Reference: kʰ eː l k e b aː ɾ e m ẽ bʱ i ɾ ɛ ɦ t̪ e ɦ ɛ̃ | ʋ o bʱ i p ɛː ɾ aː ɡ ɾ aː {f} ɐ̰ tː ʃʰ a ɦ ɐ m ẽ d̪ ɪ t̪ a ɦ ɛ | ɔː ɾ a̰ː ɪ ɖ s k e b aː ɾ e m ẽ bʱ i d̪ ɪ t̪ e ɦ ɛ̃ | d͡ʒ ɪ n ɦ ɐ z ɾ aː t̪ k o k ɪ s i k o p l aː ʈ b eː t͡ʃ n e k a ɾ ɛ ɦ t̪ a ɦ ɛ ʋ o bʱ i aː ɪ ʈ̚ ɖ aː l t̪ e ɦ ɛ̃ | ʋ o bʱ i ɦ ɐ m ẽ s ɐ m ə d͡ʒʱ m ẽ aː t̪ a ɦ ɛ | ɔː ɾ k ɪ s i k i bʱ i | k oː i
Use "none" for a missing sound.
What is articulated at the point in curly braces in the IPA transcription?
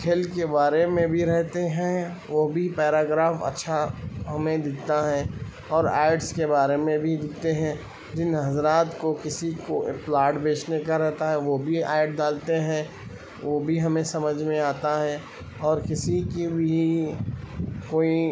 f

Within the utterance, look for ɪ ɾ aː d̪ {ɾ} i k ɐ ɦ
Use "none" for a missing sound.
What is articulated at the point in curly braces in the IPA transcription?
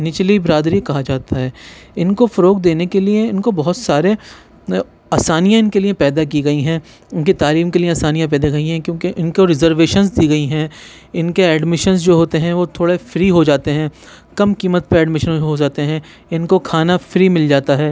ɾ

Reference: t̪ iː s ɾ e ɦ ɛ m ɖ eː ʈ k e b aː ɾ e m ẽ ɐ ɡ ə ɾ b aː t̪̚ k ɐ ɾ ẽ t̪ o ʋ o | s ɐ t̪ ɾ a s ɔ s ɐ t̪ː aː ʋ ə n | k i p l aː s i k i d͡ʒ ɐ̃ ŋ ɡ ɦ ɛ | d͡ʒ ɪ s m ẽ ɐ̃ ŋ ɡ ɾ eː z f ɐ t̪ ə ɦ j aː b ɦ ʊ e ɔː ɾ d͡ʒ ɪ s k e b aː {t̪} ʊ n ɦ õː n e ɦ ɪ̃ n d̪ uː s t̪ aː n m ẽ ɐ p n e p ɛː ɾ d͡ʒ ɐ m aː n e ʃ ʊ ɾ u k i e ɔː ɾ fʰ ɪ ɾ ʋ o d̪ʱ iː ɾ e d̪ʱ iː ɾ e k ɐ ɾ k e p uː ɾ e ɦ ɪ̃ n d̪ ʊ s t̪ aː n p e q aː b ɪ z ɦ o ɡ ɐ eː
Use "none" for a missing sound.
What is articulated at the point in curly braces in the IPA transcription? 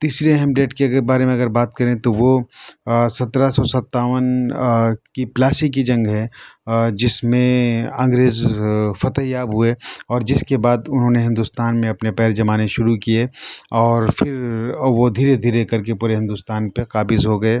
d̪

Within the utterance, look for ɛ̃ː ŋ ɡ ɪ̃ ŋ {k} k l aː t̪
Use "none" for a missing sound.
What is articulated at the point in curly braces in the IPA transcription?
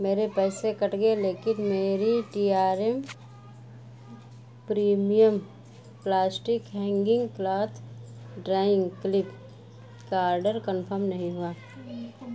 ɡ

